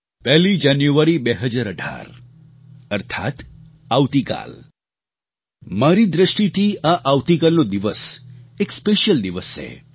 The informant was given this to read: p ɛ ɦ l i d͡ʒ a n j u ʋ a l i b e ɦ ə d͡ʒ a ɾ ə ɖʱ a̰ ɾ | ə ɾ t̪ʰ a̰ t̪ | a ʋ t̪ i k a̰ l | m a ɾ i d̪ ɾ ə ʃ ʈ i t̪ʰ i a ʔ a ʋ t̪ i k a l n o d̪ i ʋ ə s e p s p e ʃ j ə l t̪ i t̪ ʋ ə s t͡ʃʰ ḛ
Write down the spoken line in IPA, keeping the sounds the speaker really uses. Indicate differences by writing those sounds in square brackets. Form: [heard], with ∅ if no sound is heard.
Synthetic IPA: p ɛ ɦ l i d͡ʒ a n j u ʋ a [ɾ] i b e ɦ ə d͡ʒ a ɾ ə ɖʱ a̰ ɾ | ə ɾ t̪ʰ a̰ t̪ | a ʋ t̪ i k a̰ l | m a ɾ i d̪ ɾ ə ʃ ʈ i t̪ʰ i a ʔ a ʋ t̪ i k a l n o d̪ i ʋ ə s e [k] s p e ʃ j ə l [d̪] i [∅] ʋ ə s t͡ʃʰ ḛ